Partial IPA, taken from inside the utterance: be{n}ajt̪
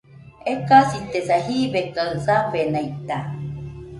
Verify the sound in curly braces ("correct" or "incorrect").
correct